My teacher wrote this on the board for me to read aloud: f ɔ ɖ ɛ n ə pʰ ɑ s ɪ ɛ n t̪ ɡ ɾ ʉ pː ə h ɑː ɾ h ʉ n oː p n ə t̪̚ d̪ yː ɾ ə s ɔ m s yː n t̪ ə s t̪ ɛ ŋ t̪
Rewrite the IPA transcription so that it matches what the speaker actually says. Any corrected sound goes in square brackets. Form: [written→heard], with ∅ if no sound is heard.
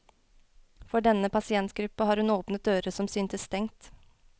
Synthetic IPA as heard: f ɔ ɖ ɛ n ə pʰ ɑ s ɪ ɛ n t̪ ɡ ɾ ʉ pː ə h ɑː ɾ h ʉ n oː p n ə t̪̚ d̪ [yː→øː] ɾ ə s ɔ m s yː n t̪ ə s t̪ ɛ ŋ t̪